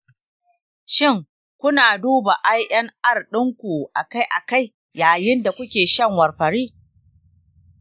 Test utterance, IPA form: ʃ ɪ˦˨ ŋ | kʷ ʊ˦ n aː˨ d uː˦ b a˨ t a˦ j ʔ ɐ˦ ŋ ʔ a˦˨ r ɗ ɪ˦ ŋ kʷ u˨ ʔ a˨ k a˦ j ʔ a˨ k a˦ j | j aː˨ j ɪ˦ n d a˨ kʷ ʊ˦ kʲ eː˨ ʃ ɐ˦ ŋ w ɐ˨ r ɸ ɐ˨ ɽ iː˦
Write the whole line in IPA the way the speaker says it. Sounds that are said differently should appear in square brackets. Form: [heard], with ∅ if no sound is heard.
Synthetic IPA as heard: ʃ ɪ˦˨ ŋ | kʷ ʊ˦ n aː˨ d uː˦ b a˨ [ʔ] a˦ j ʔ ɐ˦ ŋ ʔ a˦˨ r ɗ ɪ˦ ŋ kʷ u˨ ʔ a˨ k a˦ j ʔ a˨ k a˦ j | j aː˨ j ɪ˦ n d a˨ kʷ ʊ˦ kʲ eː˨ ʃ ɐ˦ ŋ w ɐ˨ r ɸ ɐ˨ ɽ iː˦